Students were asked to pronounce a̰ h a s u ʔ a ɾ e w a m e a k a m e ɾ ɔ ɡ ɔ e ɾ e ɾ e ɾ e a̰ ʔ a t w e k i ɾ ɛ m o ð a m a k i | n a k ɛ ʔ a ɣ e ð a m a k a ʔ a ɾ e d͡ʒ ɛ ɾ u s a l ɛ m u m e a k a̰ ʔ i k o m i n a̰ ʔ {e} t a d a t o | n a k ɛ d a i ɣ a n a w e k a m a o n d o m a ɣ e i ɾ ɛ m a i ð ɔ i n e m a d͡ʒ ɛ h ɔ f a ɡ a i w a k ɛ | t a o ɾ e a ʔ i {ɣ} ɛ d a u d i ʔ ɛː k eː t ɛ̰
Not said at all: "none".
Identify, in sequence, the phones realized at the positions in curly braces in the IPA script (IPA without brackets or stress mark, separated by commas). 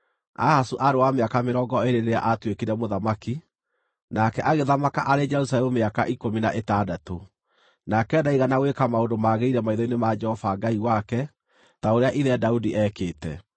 e, ð